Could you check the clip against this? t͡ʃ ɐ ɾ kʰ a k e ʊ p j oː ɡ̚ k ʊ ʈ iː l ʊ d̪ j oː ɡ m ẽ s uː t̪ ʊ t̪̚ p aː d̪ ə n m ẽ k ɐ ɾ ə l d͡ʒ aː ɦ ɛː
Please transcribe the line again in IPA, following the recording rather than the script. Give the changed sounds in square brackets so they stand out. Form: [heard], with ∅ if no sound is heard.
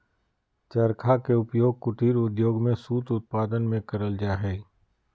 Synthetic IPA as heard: t͡ʃ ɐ ɾ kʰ a k e ʊ p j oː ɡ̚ k ʊ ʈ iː [ɾ] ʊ d̪ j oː ɡ m ẽ s uː t̪ ʊ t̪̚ p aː d̪ ə n m ẽ k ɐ ɾ ə l d͡ʒ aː ɦ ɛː